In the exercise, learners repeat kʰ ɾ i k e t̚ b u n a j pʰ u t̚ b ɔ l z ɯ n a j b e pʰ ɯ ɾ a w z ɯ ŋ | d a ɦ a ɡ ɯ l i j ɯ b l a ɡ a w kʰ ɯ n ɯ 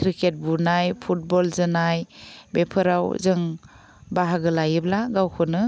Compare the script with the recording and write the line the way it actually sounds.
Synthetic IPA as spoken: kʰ ɾ i k e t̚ b u n a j pʰ u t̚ b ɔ l z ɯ n a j b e pʰ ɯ ɾ a w z ɯ ŋ | b a ɦ a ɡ ɯ l a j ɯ b l a ɡ a w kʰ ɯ n ɯ

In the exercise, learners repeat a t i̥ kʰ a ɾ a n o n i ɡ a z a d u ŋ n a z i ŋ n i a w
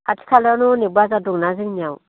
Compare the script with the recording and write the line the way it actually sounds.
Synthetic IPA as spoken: a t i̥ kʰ a l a n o n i b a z a d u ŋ n a z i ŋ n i a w

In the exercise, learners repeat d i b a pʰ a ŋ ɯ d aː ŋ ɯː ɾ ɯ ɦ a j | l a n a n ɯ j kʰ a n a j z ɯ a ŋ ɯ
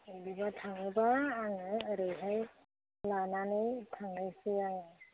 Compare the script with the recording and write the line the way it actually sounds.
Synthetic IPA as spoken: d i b a tʰ a ŋ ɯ b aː ŋ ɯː ɾ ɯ ɦ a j | l a n a n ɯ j tʰ a ŋ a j s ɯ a ŋ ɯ

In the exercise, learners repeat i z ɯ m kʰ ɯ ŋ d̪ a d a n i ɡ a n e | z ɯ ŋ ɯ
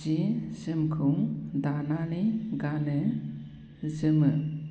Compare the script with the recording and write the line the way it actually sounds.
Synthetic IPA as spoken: i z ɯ m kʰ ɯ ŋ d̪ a n a n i ɡ a n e | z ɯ m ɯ

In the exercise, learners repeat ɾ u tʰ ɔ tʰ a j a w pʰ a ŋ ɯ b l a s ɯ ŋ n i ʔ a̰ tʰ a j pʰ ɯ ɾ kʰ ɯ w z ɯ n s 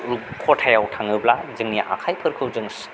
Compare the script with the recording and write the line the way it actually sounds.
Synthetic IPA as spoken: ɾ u kʰ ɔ tʰ a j a w tʰ a ŋ ɯ b l a z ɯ ŋ n i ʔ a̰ kʰ a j pʰ ɯ ɾ kʰ ɯ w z ɯ ŋ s

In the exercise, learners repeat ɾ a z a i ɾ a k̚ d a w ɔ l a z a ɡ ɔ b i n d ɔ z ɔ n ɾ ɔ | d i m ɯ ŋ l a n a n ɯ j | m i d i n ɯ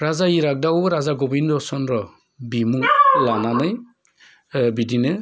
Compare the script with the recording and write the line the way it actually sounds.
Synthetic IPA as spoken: ɾ a z a i ɾ a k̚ d a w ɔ ɾ a z a ɡ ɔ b i n d ɔ s ɔ n ɾ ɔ | b i m u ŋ l a n a n ɯ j | b i d i n ɯ

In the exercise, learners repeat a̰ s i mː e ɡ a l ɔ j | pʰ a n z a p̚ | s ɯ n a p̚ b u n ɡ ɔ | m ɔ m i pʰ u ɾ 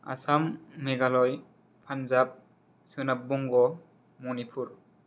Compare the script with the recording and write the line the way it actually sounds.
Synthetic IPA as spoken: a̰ s a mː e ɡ a l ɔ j | pʰ a n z a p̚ | s ɯ n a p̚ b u ŋ ɡ ɔ | m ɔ n i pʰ u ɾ

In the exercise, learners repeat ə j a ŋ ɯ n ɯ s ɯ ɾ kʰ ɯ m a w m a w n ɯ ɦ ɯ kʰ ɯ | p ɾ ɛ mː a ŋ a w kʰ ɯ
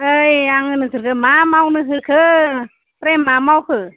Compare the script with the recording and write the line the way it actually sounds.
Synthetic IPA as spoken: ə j a ŋ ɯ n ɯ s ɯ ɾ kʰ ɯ m a m a w n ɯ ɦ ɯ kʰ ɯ | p ɾ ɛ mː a m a w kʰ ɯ

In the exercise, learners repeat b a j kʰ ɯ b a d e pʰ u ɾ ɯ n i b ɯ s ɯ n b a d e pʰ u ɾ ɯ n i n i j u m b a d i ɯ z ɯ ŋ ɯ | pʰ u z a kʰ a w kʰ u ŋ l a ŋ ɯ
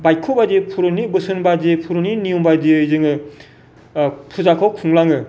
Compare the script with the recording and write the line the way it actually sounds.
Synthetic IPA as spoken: b a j kʰ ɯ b a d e pʰ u ɾ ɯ n i b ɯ s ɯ n b a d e pʰ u ɾ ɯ n i n i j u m b a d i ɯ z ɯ ŋ ɯ | pʰ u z a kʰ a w kʰ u ŋ l a ŋ ɯ

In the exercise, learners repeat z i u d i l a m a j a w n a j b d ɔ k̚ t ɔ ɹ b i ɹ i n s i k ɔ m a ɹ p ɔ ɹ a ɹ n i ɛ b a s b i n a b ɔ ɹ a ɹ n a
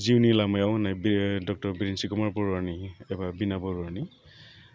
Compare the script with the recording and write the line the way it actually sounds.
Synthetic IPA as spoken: z i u n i l a m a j a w n a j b d ɔ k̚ t ɔ ɹ b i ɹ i n s i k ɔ m a ɹ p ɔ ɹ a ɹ n i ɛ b a b i n a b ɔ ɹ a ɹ n i

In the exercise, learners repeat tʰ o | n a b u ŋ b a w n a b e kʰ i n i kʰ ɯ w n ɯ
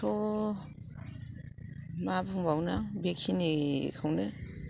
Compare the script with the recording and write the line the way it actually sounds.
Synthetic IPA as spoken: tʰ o | m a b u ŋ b a w n a b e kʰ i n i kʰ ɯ w n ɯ

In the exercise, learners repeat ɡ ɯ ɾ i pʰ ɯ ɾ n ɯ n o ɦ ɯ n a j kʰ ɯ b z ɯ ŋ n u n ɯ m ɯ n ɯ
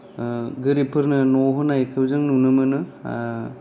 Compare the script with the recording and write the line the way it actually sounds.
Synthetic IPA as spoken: ɡ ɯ ɾ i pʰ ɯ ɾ n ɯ n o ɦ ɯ n a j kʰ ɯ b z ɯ ŋ n u n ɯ m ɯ n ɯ

